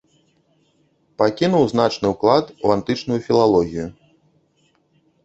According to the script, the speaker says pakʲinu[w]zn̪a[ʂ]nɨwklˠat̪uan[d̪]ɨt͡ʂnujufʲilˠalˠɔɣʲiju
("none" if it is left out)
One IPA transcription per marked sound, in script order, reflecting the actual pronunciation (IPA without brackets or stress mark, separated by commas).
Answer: w, t͡ʂ, t̪